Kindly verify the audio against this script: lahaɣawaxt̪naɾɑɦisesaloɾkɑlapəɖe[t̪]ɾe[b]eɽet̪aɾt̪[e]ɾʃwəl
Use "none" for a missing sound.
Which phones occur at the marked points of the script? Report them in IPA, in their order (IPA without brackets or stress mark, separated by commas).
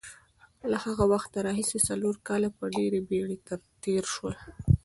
none, b, e